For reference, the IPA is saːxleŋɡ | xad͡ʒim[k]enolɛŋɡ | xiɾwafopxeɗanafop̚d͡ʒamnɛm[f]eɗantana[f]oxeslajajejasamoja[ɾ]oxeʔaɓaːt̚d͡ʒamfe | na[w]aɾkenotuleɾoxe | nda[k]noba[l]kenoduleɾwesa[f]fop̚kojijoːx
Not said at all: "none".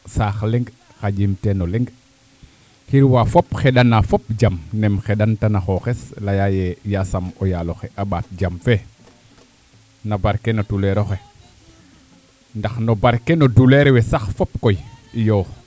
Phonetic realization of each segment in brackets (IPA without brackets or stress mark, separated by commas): t, x, x, l, b, x, ɾ, x